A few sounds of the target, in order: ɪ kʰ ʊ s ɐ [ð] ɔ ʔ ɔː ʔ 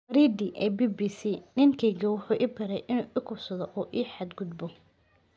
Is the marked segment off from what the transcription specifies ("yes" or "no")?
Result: no